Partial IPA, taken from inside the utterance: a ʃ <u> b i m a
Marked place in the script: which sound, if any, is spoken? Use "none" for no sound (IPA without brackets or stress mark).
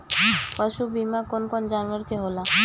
u